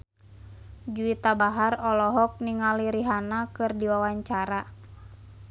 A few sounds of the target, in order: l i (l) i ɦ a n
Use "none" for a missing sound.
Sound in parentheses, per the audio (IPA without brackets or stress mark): ɾ